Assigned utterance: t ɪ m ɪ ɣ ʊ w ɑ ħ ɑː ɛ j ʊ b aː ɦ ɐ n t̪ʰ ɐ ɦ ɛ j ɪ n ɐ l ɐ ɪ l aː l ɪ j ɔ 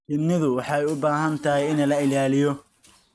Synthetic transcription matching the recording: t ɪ n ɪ ð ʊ w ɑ ħ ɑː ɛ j ʊ b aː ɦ ɐ n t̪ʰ ɐ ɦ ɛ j ɪ n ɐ l ɐ ɪ l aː l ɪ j ɔ